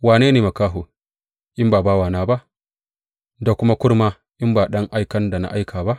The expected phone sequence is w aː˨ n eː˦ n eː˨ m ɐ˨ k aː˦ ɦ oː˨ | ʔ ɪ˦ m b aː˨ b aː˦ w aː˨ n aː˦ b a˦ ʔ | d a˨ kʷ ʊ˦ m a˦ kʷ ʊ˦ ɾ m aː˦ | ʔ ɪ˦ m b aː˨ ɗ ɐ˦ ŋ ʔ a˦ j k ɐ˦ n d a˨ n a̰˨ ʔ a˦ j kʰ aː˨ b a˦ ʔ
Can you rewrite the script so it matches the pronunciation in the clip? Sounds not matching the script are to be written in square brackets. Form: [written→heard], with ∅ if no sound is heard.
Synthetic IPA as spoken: w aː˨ n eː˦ n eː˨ m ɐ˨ k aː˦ ɦ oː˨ | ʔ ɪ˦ m b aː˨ b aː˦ w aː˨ n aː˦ b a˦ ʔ | d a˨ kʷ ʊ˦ m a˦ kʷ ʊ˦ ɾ m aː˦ | ʔ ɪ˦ m b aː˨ ɗ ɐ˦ ŋ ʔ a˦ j k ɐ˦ n d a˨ n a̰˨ ʔ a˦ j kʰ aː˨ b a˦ ʔ